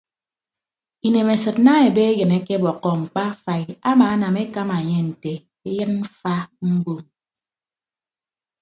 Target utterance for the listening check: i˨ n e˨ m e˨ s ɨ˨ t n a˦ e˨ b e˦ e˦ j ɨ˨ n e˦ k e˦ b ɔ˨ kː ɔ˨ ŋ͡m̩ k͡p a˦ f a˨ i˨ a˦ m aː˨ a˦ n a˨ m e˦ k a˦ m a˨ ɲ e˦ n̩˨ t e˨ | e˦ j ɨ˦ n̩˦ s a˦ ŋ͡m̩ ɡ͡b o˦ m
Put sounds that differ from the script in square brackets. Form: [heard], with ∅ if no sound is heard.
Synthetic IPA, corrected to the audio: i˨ n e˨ m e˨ s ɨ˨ t n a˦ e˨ b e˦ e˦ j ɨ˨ n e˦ k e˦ b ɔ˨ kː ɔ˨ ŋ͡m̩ k͡p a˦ f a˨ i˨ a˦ m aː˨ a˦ n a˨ m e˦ k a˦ m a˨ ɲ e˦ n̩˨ t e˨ | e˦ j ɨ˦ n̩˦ [f] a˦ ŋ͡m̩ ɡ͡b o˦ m